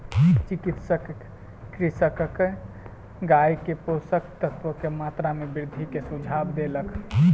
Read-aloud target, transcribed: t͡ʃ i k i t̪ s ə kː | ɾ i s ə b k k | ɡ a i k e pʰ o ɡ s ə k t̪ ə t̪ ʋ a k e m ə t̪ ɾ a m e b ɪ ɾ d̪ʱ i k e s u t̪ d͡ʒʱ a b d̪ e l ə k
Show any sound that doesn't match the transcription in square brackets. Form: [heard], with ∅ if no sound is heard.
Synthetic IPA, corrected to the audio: t͡ʃ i k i t̪ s ə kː | ɾ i s ə [∅] k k | ɡ a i k e [p] o [∅] s ə k t̪ ə t̪ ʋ [ə] k e m [a] t̪ ɾ a m e b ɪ ɾ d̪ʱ i k e s u [∅] d͡ʒʱ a b d̪ e l ə k